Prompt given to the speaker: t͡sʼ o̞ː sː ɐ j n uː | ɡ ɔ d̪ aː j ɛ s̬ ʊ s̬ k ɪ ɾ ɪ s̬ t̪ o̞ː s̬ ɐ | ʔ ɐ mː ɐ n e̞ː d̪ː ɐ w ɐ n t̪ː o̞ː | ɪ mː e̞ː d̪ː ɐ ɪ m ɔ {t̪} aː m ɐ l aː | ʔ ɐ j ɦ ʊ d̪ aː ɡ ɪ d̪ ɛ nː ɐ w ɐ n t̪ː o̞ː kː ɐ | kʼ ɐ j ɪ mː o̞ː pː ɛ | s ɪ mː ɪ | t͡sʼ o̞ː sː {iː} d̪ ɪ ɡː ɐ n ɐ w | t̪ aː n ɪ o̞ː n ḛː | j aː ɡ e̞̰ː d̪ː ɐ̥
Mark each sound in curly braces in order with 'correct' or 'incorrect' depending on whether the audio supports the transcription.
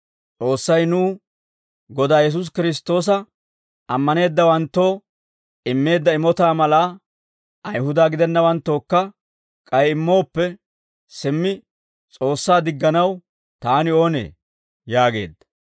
correct, incorrect: aː

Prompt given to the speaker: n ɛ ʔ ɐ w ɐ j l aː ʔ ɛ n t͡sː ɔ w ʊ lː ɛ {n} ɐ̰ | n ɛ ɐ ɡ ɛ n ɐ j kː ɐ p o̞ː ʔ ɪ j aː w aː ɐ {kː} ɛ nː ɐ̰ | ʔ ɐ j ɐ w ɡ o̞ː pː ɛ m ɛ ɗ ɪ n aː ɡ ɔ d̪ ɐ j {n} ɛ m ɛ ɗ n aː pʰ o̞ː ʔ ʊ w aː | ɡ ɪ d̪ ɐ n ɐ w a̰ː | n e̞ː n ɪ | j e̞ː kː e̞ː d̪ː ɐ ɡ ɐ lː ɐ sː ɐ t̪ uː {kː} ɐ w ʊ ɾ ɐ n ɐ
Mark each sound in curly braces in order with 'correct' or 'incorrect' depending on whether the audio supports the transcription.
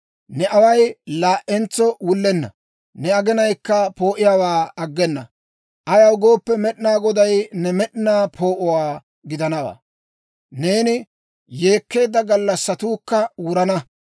incorrect: nː, incorrect: ɡː, correct, correct

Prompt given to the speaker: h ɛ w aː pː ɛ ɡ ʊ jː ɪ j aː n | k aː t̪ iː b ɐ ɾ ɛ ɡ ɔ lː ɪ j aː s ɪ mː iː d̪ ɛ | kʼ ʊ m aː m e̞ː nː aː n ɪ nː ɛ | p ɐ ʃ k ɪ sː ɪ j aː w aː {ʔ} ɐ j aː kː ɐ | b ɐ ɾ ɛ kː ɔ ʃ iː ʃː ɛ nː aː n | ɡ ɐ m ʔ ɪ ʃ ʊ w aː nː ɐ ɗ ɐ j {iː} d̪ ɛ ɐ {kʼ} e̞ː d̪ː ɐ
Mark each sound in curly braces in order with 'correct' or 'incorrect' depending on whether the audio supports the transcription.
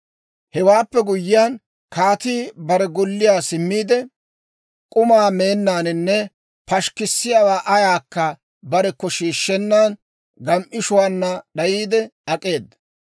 correct, correct, correct

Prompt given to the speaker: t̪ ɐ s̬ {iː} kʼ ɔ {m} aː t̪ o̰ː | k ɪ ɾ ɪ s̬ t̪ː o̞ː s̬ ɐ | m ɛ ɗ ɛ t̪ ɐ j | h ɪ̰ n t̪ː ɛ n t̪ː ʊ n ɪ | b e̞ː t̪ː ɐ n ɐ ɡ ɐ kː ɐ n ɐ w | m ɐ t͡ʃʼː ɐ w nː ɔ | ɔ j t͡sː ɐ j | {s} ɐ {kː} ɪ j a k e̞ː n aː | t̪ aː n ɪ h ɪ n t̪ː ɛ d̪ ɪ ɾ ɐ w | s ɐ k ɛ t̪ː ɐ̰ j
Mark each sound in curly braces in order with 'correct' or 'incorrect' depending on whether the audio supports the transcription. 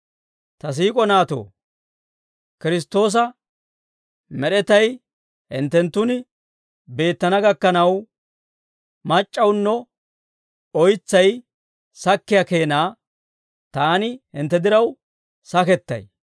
correct, incorrect: n, correct, correct

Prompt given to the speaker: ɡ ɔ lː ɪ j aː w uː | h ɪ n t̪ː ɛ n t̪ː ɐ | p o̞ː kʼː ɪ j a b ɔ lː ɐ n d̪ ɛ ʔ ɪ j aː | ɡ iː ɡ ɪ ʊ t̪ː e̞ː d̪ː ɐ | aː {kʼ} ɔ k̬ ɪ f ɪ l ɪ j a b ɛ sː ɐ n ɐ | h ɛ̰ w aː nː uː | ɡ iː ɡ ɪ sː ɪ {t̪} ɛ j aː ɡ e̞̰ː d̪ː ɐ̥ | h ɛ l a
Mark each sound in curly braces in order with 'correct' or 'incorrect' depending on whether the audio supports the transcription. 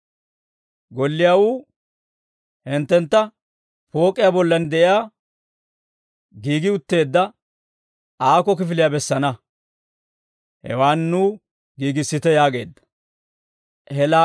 incorrect: k, correct

